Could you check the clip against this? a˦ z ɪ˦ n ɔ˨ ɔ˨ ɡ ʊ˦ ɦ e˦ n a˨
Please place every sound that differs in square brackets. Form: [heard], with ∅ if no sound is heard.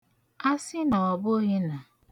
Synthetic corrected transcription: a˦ [s] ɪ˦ n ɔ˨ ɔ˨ [b] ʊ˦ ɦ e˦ n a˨